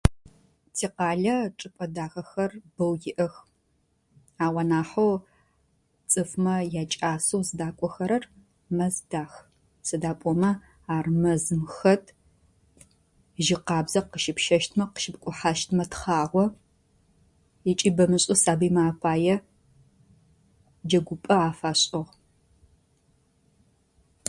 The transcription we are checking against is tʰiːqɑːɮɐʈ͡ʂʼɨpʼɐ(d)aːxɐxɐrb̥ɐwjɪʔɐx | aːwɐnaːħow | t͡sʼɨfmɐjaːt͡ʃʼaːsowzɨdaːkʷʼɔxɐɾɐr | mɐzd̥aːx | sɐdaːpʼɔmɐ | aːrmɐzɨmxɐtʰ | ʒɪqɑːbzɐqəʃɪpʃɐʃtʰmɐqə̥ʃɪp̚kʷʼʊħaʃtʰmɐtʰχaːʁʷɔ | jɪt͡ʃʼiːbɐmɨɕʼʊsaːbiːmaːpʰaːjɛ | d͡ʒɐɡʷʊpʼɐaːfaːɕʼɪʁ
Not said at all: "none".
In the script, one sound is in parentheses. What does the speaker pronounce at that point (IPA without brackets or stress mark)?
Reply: d